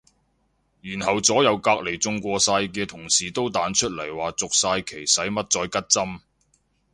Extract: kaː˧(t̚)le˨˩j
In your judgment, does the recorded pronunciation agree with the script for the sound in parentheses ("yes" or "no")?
no